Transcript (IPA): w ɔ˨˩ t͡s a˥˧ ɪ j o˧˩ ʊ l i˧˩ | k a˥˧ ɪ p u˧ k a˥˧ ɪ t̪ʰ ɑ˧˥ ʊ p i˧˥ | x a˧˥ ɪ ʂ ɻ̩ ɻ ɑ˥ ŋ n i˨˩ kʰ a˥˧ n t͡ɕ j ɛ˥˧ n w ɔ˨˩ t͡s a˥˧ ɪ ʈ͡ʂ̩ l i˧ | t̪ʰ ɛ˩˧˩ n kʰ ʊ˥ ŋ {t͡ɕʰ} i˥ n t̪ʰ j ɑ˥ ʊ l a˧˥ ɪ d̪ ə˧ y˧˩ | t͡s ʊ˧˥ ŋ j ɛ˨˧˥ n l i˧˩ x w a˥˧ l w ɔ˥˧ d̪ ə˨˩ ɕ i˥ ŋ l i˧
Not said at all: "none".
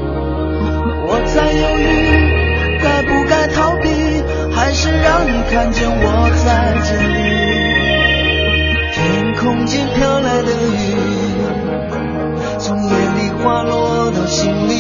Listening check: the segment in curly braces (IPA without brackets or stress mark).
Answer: t͡ɕ